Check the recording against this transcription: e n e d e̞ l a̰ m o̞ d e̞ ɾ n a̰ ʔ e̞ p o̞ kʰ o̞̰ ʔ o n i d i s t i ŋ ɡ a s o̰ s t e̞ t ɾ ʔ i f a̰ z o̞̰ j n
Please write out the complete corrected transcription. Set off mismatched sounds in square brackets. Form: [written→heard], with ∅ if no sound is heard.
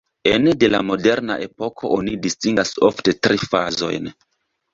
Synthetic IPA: e n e d e̞ l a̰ m o̞ d e̞ ɾ n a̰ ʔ e̞ p o̞ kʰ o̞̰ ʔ o n i d i s t i ŋ ɡ a s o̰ [s→f] t e̞ t ɾ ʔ i f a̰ z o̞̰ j n